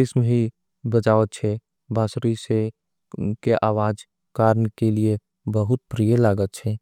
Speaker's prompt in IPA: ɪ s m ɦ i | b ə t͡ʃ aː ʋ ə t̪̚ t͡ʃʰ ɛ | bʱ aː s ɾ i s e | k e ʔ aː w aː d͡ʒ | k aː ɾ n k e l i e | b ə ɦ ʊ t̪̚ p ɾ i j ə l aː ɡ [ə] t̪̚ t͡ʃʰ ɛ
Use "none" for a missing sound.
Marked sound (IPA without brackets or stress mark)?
ə